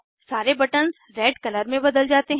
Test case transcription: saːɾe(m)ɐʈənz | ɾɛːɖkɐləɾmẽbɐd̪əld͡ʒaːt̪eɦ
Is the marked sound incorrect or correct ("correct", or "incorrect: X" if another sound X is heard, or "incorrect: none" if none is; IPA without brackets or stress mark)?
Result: incorrect: b